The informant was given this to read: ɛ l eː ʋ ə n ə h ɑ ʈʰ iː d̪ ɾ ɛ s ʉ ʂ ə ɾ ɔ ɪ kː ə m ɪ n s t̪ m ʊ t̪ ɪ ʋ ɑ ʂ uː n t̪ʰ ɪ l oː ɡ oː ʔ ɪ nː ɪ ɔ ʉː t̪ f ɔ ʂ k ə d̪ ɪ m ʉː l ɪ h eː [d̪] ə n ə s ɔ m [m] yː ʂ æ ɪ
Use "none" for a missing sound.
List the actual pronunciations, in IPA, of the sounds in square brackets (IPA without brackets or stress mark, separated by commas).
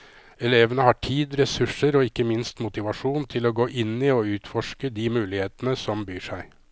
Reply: t̪, b